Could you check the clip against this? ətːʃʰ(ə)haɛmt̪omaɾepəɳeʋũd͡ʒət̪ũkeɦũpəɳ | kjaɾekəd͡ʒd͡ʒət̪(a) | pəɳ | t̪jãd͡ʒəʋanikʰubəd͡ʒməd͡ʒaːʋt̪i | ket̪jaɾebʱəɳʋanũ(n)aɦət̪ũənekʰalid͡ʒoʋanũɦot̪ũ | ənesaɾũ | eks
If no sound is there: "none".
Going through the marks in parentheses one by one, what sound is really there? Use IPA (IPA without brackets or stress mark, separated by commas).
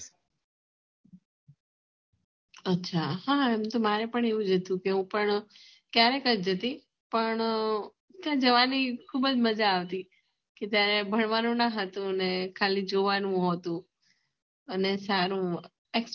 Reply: a, i, n